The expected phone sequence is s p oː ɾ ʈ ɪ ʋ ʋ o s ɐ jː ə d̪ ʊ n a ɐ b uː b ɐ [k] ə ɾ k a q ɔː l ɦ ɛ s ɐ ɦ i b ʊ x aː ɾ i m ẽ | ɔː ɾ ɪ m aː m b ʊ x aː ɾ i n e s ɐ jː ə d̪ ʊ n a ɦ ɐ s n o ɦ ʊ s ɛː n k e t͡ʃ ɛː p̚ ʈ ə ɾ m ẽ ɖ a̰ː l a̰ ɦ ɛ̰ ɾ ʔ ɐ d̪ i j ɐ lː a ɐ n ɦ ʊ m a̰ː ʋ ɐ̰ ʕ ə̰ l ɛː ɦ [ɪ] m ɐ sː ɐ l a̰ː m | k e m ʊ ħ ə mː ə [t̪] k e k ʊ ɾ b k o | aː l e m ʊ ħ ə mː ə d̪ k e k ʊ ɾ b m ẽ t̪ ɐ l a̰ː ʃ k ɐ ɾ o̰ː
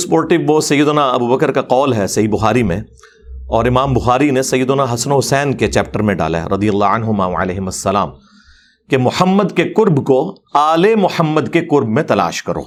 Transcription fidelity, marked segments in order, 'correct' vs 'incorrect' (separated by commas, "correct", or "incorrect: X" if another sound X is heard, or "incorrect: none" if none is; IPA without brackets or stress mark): correct, correct, incorrect: d̪